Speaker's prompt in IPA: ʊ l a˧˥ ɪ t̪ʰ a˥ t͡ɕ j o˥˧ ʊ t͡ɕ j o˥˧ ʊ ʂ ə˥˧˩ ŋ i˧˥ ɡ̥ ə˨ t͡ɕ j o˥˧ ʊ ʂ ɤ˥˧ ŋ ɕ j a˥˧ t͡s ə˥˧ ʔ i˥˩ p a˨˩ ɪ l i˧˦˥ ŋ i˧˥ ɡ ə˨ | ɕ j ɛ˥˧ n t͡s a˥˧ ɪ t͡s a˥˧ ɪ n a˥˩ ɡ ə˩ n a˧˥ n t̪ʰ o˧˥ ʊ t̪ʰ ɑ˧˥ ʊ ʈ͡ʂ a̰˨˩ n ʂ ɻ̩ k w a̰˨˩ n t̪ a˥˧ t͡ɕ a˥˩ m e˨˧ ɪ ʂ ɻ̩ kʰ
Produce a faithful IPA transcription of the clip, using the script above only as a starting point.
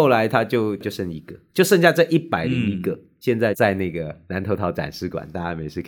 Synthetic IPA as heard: ʊ l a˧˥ ɪ t̪ʰ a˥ t͡ɕ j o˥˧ ʊ t͡ɕ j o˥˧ ʊ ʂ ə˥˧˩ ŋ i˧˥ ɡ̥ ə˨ t͡ɕ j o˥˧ ʊ ʂ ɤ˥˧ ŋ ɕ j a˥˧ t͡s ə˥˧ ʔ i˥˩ p a˨˩ ɪ l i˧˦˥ ŋ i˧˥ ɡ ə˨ | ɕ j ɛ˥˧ n t͡s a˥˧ ɪ t͡s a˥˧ ɪ n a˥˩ ɡ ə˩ n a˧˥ n t̪ʰ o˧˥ ʊ t̪ʰ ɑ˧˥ ʊ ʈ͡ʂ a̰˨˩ n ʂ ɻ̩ k w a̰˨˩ n t̪ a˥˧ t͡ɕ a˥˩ m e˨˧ ɪ ʂ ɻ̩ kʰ